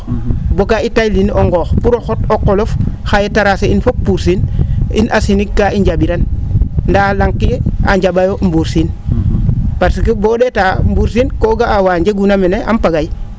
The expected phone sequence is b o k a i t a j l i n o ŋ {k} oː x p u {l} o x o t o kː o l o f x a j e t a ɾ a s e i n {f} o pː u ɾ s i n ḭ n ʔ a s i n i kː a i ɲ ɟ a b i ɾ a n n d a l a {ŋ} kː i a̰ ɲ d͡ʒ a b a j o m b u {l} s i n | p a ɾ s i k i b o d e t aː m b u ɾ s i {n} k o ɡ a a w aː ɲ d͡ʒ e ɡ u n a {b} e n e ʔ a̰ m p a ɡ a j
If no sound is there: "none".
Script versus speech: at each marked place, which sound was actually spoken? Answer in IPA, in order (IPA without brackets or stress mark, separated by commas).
ɡ, ɾ, f, ŋ, ɾ, n, m